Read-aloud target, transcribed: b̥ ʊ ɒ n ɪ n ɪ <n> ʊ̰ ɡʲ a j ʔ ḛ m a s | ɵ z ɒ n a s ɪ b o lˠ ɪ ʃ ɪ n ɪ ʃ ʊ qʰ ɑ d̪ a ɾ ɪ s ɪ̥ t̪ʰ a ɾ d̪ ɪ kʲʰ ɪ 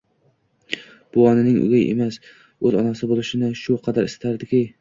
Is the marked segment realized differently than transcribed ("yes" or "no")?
yes